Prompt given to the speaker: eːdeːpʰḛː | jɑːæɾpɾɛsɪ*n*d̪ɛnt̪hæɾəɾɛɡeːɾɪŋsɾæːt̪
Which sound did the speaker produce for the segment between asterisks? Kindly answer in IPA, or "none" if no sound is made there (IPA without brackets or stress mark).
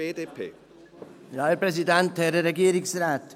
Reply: none